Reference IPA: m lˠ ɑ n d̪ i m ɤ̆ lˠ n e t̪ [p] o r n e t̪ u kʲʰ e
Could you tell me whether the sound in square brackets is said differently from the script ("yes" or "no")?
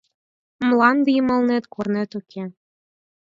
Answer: yes